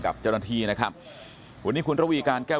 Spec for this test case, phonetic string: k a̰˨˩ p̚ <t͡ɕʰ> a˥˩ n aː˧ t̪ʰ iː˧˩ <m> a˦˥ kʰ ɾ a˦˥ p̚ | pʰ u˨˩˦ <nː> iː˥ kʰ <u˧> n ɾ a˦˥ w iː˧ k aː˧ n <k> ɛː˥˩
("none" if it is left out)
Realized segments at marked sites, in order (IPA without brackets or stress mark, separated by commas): t͡ɕ, n, n, u˧, k